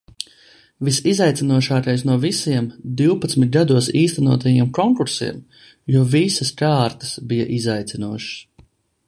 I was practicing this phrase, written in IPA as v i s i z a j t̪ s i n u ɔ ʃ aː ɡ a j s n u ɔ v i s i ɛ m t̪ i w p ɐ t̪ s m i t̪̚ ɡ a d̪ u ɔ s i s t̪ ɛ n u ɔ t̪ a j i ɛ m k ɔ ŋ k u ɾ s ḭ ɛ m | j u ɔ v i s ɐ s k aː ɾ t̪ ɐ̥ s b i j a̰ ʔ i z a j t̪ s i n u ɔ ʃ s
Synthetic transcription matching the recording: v i s i z a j t̪ s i n u ɔ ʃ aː k a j s n u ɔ v i s i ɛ m d̪ i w p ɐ t̪ s m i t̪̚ ɡ a d̪ u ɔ s iː s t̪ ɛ n u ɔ t̪ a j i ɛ m k ɔ ŋ k u ɾ s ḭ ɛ m | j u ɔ v i s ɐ s k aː ɾ t̪ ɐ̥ s b i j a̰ ʔ i z a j t̪ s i n u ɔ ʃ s